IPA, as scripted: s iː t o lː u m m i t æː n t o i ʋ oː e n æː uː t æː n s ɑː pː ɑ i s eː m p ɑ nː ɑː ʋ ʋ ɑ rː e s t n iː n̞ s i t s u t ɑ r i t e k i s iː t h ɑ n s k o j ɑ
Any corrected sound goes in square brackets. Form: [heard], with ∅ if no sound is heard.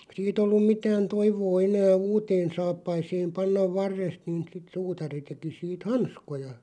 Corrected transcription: s iː t o lː u m m i t æː n t o i ʋ oː e n æː uː t [eː] n s ɑː pː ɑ i s eː m p ɑ nː [ɑ] ʋ ʋ ɑ rː e s t n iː n̞ s i t s [uː] t ɑ r i t e k i s iː t h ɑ n s k o j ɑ